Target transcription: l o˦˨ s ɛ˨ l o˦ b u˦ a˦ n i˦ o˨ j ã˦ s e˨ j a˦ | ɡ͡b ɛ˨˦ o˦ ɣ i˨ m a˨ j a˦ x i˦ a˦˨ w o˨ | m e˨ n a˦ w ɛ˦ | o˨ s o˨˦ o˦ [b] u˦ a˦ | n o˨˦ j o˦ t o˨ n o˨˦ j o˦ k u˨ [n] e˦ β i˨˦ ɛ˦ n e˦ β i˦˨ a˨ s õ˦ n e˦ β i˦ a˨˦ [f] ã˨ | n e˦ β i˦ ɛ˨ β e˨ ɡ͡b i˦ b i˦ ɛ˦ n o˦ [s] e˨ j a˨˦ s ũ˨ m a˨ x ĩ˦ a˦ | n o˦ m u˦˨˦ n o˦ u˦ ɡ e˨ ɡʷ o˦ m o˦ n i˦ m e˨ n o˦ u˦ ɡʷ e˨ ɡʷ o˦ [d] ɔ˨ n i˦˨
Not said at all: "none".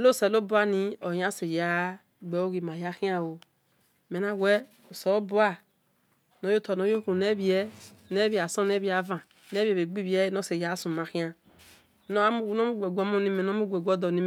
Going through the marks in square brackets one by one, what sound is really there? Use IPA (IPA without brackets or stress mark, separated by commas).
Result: b, n, v, s, d